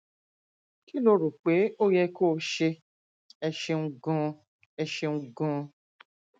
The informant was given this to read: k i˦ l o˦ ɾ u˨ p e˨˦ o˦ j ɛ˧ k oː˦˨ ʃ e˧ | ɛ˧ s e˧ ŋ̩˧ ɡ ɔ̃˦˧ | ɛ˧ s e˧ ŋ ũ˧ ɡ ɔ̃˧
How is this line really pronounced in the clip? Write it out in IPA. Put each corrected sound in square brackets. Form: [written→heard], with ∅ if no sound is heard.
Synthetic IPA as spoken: k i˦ l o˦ ɾ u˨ [p→k͡p] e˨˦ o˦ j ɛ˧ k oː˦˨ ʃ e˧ | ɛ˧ [s→ʃ] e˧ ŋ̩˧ ɡ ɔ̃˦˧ | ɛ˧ [s→ʃ] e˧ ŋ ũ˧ ɡ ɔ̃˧